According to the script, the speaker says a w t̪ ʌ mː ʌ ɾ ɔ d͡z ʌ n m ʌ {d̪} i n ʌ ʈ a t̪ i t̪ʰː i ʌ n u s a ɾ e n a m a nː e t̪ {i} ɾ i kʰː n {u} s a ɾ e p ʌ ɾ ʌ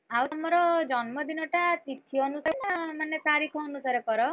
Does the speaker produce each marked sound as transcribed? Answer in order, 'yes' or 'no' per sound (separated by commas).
yes, no, yes